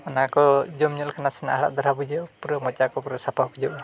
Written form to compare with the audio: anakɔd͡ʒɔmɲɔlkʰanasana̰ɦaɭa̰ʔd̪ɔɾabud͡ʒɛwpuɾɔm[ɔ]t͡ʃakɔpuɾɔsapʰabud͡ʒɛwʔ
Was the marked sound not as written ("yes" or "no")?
no